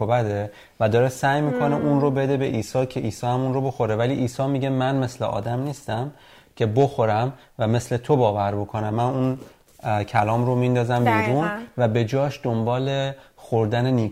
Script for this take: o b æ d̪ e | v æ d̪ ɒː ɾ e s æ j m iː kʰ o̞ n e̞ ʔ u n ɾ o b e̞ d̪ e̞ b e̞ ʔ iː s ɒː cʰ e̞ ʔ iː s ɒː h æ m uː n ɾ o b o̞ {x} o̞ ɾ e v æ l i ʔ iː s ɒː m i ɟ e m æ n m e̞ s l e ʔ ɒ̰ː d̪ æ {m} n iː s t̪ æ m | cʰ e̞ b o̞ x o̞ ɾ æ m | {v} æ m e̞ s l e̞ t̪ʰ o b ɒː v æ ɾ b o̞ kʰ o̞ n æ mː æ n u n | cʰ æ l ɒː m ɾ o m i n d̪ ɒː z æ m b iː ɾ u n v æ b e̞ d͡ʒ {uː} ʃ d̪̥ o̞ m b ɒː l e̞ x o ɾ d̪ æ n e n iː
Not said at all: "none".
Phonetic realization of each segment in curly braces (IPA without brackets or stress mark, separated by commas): x, m, v, ɒː